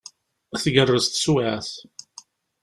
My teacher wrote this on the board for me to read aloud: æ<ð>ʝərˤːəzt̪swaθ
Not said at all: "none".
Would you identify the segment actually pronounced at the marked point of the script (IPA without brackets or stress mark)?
θ